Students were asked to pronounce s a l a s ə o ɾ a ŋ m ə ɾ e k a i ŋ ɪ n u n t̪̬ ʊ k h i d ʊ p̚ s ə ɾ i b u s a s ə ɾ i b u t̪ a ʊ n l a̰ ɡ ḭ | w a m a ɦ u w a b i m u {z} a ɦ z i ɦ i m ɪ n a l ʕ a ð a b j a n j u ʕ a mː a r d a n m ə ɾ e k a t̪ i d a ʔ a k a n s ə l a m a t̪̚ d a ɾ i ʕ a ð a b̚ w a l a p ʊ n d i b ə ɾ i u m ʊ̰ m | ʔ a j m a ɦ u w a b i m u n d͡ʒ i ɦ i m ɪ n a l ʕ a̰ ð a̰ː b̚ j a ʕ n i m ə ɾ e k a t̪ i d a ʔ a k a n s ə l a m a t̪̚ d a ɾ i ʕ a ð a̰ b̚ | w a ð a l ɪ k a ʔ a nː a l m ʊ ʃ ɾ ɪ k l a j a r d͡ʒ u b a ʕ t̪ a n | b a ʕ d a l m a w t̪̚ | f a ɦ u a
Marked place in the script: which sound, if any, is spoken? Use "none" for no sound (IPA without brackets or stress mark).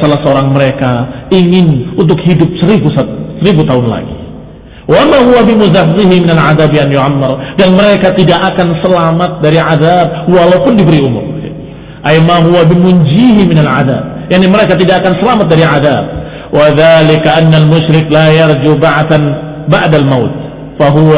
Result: z